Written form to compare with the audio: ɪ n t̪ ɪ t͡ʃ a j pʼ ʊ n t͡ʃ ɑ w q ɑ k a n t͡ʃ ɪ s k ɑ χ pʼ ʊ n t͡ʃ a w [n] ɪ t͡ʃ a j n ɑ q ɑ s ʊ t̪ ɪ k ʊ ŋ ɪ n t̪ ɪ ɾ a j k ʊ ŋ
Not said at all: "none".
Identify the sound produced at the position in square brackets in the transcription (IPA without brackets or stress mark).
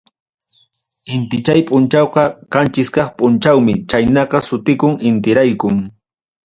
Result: m